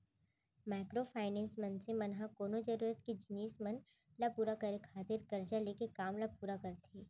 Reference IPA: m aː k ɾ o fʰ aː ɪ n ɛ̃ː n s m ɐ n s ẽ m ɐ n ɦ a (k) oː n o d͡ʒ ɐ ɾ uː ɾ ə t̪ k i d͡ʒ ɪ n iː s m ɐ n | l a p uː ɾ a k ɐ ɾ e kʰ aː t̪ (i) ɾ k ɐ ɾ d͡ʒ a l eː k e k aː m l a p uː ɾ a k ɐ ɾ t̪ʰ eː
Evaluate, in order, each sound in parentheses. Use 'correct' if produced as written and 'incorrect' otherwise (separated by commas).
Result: correct, incorrect